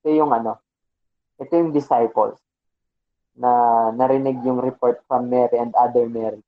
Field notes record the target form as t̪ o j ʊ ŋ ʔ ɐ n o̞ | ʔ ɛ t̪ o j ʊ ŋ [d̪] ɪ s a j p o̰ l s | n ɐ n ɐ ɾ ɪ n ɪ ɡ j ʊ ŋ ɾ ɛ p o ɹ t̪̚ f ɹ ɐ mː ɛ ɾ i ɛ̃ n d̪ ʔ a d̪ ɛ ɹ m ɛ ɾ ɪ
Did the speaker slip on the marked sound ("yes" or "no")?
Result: no